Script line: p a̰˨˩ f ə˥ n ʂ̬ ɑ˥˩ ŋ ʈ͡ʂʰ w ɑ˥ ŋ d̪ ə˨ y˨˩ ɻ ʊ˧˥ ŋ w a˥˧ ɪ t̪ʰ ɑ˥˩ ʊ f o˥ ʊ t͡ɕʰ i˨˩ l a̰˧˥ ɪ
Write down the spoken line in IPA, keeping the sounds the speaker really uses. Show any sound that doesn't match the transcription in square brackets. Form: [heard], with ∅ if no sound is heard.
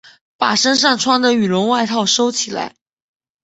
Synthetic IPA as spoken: p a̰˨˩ [ʂ] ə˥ n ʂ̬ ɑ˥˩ ŋ ʈ͡ʂʰ w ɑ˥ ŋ d̪ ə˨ y˨˩ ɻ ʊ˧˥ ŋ w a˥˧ ɪ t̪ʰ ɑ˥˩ ʊ [ʂ] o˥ ʊ t͡ɕʰ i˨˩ l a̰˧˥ ɪ